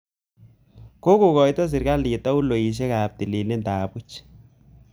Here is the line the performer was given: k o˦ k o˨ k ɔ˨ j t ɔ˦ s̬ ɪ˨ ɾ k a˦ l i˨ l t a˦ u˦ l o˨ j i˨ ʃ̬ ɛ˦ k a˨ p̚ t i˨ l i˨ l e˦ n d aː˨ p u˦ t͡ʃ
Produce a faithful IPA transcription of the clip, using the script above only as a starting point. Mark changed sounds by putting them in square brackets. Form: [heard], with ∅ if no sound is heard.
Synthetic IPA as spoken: k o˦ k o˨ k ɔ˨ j t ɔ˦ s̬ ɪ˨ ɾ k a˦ l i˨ [∅] t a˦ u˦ l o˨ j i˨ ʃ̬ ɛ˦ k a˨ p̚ t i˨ l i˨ l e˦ n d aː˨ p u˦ t͡ʃ